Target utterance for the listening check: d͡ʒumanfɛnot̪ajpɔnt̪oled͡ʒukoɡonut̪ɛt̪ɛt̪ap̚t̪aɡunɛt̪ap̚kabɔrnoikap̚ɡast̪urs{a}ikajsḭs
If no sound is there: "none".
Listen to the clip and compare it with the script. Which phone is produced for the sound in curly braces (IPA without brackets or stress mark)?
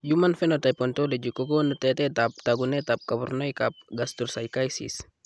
a